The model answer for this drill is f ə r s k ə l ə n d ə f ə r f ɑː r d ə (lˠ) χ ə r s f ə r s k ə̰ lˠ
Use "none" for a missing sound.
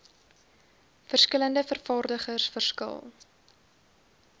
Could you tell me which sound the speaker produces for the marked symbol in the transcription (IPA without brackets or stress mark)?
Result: none